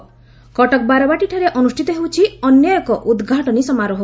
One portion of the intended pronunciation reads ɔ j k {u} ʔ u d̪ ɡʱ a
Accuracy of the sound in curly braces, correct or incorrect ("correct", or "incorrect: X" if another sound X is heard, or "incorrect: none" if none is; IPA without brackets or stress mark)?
incorrect: ɔ